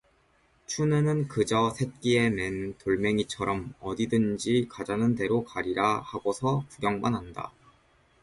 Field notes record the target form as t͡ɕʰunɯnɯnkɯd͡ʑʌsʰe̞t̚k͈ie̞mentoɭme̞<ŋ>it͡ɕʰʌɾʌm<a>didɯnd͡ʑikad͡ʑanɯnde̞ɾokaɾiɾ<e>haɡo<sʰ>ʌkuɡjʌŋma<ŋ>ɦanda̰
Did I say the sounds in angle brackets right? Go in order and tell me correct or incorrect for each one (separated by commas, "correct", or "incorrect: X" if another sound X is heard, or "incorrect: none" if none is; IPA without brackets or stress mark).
correct, incorrect: ʌ, incorrect: a, correct, incorrect: n